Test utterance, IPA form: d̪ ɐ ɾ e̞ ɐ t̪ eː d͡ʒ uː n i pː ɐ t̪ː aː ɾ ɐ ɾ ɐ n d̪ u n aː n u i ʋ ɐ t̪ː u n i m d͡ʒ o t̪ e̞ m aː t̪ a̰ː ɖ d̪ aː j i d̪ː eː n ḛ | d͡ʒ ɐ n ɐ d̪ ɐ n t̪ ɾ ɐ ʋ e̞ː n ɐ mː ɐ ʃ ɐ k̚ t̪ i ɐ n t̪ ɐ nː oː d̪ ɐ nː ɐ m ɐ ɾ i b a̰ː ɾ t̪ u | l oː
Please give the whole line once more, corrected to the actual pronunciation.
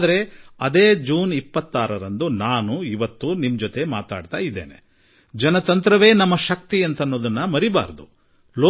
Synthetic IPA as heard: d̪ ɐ ɾ e̞ ɐ d̪ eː d͡ʒ uː n i pː ɐ t̪ː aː ɾ ɐ ɾ ɐ n d̪ u n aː n u i ʋ ɐ t̪ː u n i m d͡ʒ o t̪ e̞ m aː t̪ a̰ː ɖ t̪ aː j i d̪ː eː n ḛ | d͡ʒ ɐ n ɐ t̪ ɐ n t̪ ɾ ɐ ʋ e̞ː n ɐ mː ɐ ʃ ɐ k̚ t̪ i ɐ n t̪ ɐ nː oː d̪ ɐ nː ɐ m ɐ ɾ i b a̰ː ɾ d̪ u | l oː